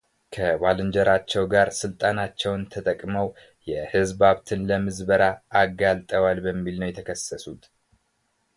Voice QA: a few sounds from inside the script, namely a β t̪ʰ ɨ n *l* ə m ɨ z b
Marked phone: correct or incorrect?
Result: correct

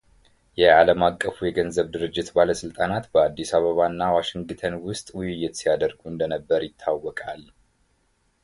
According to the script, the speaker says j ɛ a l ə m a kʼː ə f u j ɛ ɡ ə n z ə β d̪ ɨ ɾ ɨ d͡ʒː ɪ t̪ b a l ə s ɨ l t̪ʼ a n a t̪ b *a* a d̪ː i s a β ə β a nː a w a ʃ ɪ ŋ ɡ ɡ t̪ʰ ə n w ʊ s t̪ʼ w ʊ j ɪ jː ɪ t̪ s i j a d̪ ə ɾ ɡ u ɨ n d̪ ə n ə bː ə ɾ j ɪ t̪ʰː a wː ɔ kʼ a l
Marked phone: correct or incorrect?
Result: incorrect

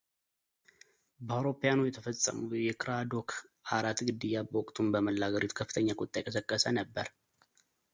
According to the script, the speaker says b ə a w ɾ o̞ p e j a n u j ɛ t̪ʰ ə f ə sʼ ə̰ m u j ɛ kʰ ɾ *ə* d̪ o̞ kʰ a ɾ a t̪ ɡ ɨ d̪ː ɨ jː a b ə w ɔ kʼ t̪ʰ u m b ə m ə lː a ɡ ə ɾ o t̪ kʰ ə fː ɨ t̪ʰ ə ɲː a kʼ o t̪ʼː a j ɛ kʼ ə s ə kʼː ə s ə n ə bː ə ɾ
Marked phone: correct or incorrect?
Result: incorrect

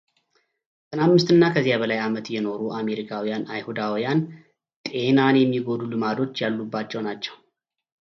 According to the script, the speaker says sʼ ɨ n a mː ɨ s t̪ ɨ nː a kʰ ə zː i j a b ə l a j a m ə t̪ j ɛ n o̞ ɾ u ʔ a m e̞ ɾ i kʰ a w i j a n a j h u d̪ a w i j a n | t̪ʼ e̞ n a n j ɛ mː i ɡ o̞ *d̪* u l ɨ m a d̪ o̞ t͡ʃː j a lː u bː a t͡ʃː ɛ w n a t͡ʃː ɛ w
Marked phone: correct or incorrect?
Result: correct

